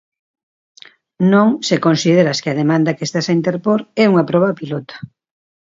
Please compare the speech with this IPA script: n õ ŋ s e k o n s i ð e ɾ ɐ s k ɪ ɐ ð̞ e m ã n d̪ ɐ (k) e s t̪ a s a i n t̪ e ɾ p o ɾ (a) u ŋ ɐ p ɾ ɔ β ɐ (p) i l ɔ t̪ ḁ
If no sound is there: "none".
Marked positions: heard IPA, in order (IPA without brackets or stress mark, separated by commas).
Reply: k, ɛ, p